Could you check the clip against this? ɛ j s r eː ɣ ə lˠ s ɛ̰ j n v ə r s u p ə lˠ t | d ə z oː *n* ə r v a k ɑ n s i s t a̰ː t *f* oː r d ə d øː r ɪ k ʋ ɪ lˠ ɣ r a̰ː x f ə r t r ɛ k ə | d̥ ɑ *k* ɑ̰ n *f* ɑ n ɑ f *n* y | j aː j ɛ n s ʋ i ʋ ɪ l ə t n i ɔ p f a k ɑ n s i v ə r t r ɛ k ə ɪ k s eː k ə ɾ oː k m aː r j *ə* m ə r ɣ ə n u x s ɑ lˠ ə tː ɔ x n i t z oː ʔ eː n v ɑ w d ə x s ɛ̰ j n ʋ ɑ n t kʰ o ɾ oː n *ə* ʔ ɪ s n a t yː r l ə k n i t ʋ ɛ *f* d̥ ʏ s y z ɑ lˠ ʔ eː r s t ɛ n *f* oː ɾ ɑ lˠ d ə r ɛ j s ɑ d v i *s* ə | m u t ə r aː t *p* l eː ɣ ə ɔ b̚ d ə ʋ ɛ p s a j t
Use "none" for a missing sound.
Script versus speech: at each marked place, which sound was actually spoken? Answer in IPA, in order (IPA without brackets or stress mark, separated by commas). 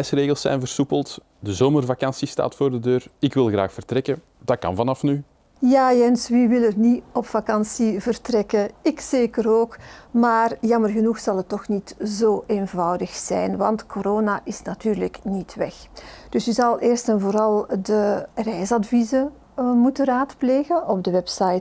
m, f, k, v, n, ɑ, a, x, v, z, p